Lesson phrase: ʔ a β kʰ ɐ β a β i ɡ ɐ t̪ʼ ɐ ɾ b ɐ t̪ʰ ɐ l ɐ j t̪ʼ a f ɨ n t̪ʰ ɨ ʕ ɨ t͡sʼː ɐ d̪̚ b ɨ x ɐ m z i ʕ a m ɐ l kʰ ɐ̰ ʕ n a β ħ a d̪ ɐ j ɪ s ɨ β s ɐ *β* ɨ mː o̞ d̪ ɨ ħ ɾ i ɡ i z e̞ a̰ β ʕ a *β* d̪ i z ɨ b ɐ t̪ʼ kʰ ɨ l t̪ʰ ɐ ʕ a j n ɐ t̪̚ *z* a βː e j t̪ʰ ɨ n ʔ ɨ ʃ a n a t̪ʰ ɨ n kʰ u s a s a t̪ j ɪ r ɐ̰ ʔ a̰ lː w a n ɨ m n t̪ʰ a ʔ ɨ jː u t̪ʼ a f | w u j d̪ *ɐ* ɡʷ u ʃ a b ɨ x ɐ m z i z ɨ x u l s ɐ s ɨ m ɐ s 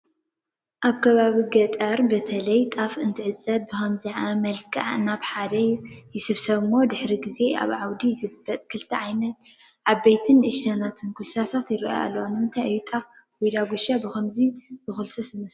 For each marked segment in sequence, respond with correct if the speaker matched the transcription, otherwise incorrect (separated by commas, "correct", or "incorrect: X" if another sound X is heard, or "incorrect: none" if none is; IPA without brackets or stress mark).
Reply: correct, incorrect: w, incorrect: ʕ, incorrect: a